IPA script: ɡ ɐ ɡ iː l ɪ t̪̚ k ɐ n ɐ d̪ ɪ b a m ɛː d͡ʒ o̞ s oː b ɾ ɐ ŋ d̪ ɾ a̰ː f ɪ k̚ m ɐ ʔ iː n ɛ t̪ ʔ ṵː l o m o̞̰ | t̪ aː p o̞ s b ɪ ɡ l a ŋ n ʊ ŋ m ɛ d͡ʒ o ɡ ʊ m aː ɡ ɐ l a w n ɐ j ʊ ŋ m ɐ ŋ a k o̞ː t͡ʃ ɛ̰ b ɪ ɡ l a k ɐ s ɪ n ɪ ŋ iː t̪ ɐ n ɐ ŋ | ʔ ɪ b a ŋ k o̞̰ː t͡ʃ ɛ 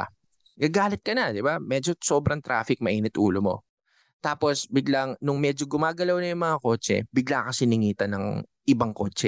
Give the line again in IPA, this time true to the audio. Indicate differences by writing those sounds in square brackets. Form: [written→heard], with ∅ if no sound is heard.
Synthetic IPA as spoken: ɡ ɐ ɡ [iː→aː] l ɪ t̪̚ k ɐ n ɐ d̪ ɪ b a m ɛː d͡ʒ o̞ s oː b ɾ ɐ ŋ [d̪→t̪] ɾ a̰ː f ɪ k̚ m ɐ ʔ iː n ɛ t̪ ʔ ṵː l o m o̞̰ | t̪ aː p o̞ s b ɪ ɡ l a ŋ n ʊ ŋ m ɛ d͡ʒ o ɡ ʊ m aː ɡ ɐ l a w n ɐ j ʊ ŋ m ɐ ŋ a k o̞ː t͡ʃ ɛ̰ b ɪ ɡ l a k ɐ s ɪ n ɪ ŋ iː t̪ ɐ n ɐ ŋ | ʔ ɪ b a ŋ k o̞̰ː t͡ʃ ɛ